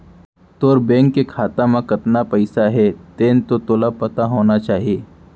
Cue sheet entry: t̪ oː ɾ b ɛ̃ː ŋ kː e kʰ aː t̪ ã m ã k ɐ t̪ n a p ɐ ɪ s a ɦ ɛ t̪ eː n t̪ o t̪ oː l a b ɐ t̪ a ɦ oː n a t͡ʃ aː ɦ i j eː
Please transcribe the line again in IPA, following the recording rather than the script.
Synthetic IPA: t̪ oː ɾ b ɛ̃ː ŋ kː e kʰ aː t̪ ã m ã k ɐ t̪ n a p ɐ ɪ s a ɦ ɛ t̪ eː n t̪ o t̪ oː l a p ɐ t̪ a ɦ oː n a t͡ʃ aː ɦ i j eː